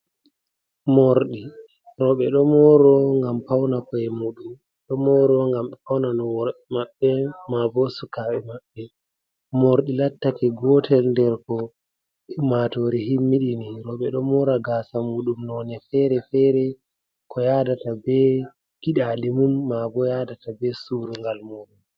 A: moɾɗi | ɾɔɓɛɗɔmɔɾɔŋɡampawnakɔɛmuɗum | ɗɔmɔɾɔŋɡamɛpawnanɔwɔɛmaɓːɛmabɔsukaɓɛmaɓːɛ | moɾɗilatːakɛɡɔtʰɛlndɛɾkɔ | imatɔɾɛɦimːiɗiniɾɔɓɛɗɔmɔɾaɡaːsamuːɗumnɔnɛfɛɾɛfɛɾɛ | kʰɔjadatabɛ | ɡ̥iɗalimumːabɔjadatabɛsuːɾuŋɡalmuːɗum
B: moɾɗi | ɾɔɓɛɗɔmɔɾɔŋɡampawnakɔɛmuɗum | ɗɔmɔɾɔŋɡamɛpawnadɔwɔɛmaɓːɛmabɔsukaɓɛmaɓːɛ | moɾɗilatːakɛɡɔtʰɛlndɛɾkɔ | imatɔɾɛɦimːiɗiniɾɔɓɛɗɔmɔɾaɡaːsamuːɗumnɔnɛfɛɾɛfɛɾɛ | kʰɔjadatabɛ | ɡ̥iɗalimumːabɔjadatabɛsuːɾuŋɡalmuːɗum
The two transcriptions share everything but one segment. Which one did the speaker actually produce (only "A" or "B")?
A